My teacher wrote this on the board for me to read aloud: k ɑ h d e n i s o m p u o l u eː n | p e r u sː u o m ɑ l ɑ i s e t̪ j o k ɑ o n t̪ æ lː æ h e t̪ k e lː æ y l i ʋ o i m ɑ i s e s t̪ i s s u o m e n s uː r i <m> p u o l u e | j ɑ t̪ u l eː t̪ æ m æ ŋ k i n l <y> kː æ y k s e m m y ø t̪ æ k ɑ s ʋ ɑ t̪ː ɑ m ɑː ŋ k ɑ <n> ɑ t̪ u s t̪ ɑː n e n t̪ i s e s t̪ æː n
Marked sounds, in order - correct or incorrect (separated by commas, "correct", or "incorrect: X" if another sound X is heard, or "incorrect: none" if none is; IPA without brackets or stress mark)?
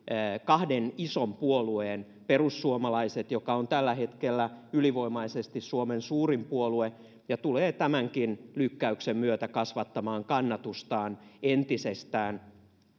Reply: correct, correct, incorrect: nː